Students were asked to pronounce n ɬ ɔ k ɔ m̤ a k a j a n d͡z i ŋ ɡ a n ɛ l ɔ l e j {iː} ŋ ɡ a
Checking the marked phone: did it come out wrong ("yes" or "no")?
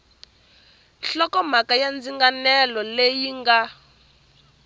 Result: yes